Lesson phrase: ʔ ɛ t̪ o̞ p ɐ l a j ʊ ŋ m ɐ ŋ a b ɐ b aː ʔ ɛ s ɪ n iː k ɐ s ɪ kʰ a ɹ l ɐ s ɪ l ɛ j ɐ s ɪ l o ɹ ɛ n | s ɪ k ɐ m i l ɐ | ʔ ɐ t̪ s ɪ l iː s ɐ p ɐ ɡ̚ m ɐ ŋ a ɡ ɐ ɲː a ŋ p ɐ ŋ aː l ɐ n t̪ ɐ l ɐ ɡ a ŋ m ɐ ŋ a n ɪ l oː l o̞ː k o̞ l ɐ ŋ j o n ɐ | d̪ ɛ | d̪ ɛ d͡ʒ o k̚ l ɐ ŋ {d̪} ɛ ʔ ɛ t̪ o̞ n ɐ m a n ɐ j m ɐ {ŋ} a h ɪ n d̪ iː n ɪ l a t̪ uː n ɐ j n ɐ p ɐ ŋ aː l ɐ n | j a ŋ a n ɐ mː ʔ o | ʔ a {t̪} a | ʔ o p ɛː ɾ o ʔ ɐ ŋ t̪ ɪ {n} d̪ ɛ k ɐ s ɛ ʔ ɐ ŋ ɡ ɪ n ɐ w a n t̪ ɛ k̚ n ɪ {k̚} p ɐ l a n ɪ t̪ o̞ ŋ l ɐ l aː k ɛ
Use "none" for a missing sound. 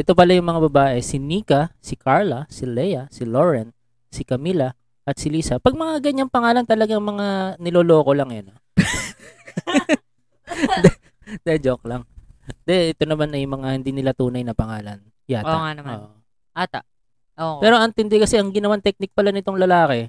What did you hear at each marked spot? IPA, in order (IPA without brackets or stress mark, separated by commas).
d̪, ŋ, t̪, n, k̚